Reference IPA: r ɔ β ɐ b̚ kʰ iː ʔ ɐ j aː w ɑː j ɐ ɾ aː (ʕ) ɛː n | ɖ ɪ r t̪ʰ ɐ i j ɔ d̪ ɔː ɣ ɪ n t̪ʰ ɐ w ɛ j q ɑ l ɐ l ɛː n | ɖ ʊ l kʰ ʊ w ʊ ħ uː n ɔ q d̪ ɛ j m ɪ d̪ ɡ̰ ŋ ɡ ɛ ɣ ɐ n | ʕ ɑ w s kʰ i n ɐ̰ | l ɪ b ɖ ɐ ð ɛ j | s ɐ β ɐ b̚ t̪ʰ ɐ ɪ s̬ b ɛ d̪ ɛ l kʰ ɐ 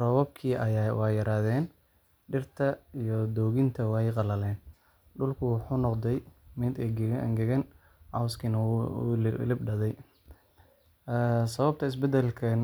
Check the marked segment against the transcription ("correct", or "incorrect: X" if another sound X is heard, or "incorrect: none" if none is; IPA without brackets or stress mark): incorrect: ð